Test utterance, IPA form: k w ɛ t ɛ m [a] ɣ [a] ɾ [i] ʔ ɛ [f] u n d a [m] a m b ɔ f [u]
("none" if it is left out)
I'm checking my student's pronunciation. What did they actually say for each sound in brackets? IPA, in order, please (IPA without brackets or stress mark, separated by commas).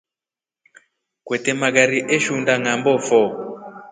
a, a, i, ʃ, ŋ, ɔ